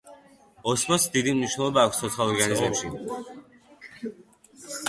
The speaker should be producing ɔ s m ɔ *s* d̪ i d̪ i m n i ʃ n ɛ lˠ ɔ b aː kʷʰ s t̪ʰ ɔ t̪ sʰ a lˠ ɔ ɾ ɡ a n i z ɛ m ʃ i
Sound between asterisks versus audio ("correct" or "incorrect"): correct